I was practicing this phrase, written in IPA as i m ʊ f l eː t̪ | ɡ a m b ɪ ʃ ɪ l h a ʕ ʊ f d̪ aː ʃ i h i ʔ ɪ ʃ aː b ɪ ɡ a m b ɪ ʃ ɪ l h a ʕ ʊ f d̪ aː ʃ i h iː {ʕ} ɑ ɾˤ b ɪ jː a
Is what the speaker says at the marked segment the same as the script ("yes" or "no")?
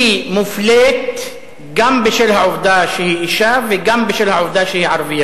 yes